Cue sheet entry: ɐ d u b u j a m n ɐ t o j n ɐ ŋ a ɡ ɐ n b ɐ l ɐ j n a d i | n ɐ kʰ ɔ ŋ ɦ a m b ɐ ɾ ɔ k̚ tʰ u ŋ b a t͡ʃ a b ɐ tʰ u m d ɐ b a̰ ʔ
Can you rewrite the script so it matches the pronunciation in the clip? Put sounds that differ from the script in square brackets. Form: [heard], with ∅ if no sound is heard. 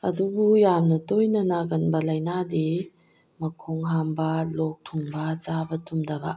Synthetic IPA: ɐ d u b u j a m n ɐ t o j n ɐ [n] a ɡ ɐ n b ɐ l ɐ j n a d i | [m] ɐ kʰ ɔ ŋ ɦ a m b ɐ [l] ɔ k̚ tʰ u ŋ b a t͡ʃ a b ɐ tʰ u m d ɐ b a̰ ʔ